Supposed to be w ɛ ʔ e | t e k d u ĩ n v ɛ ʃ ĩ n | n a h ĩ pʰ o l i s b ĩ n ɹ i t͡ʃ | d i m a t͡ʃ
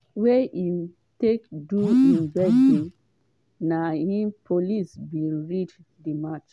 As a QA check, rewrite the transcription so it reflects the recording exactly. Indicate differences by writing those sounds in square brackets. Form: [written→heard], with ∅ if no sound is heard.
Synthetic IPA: w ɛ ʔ [e→i] | t e k d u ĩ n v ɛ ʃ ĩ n | n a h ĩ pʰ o l i s b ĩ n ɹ i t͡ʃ | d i m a t͡ʃ